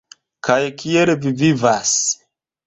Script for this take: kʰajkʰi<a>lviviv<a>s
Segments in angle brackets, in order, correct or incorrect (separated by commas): incorrect, correct